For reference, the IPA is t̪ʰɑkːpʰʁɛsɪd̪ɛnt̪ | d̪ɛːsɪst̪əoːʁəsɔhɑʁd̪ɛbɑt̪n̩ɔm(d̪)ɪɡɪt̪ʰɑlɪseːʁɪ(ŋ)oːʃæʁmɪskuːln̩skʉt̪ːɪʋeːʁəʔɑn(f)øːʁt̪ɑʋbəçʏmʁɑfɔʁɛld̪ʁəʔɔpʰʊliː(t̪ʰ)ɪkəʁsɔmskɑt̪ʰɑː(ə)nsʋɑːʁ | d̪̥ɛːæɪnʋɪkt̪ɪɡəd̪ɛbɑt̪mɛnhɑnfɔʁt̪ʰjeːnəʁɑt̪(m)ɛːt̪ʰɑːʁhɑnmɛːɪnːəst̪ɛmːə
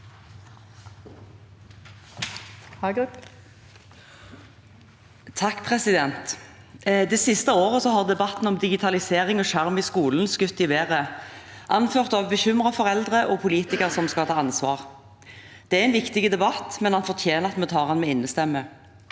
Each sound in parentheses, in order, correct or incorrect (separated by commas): correct, correct, correct, incorrect, incorrect, correct